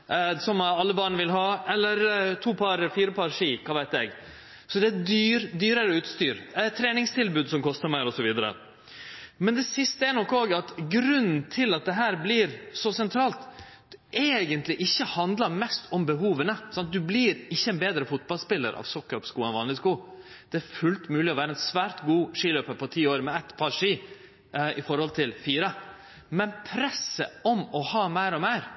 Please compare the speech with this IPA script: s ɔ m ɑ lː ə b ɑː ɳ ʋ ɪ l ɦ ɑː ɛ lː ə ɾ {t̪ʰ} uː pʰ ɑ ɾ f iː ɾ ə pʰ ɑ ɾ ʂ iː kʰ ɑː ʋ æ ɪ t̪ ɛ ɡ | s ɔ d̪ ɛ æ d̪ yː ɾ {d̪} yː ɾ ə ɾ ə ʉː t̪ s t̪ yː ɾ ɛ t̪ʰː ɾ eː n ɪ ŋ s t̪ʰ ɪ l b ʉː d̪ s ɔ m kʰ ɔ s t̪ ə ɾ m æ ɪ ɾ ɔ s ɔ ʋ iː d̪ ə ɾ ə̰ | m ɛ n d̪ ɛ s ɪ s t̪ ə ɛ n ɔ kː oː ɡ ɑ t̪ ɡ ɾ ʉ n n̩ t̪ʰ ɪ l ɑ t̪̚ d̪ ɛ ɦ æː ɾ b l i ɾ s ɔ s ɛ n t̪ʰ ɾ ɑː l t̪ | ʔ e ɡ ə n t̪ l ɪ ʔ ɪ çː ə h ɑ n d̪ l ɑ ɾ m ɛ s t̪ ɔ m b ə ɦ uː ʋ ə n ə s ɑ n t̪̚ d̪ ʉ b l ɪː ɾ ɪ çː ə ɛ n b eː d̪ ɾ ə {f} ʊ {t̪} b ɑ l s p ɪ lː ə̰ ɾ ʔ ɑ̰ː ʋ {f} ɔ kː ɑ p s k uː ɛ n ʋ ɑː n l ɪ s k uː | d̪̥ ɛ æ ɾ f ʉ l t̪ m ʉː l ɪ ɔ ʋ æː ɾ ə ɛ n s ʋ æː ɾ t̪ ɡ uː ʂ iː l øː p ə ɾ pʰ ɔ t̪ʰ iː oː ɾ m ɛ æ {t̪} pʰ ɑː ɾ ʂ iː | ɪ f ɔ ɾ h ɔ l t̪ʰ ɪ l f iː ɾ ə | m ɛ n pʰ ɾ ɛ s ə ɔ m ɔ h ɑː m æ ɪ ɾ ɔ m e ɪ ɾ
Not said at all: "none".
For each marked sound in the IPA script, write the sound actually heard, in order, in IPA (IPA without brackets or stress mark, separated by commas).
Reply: t̪ʰ, d̪, f, t̪, s, t̪